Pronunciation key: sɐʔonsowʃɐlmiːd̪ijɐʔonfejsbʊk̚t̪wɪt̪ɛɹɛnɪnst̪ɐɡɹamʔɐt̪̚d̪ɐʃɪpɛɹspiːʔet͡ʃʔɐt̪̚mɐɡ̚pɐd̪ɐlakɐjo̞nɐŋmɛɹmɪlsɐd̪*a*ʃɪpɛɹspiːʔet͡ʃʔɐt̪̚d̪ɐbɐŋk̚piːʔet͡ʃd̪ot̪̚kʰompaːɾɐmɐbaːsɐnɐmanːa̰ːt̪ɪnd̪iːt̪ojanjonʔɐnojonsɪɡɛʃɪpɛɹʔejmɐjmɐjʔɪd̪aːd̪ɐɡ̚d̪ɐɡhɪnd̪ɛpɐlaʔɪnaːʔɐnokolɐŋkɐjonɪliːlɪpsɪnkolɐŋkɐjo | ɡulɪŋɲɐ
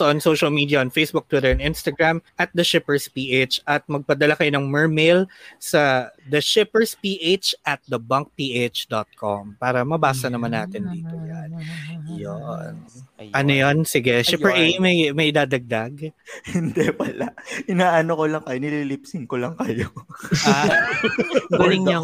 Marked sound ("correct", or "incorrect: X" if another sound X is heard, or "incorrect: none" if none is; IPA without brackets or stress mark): incorrect: ɐ